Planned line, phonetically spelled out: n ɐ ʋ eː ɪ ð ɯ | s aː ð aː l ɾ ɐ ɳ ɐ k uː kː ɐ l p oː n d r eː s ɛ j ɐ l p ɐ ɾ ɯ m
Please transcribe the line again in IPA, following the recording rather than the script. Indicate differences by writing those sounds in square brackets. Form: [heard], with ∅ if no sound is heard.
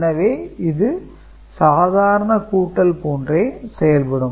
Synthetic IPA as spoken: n ɐ ʋ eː ɪ ð ɯ | s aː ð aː [∅] ɾ ɐ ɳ ɐ k uː [ʈː] ɐ l p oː n d r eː s ɛ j ɐ l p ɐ [ɽ] ɯ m